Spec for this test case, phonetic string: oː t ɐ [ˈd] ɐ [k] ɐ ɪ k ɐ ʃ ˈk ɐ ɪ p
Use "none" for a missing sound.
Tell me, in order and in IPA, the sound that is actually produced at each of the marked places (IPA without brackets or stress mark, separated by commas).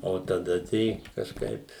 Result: d, t